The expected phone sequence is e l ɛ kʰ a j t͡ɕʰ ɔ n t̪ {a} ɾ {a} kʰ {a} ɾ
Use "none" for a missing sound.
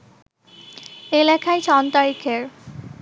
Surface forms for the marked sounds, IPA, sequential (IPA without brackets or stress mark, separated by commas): a, i, e